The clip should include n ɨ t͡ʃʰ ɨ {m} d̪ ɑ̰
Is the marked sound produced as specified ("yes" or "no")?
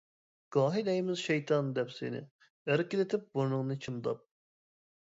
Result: yes